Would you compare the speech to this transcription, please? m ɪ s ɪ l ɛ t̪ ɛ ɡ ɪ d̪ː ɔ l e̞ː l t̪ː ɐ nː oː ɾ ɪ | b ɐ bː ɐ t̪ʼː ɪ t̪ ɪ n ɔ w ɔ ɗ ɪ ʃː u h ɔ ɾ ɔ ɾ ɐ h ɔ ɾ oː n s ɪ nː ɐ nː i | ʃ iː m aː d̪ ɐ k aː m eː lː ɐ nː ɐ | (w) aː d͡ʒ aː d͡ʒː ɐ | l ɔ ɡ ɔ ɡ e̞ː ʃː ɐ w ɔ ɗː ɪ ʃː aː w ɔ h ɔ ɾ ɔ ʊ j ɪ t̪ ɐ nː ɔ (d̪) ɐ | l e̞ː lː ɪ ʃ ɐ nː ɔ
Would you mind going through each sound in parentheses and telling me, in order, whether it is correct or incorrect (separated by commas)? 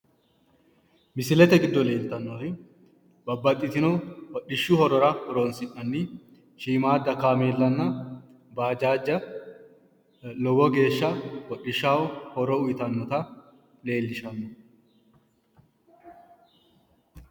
incorrect, incorrect